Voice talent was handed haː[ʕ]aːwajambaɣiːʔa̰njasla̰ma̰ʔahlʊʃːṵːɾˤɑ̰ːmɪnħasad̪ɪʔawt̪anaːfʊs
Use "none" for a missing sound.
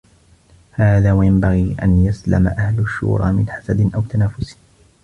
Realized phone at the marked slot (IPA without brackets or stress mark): ð